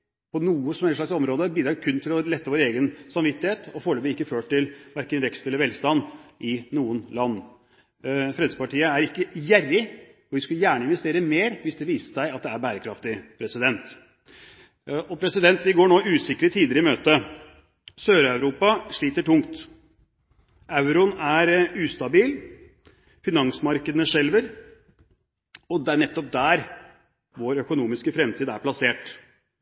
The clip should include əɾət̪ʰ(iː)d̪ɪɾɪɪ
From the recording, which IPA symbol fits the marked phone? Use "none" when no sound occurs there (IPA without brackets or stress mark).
iː